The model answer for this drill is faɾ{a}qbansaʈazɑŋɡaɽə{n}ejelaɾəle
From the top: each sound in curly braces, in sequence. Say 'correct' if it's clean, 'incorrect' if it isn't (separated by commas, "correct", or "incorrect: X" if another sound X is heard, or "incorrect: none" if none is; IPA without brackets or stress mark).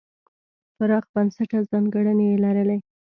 incorrect: ɑ, correct